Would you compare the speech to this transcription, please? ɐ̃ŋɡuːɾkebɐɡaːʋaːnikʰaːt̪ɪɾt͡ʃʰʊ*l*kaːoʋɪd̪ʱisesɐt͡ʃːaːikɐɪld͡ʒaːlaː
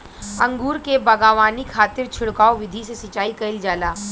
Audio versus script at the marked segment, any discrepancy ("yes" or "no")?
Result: yes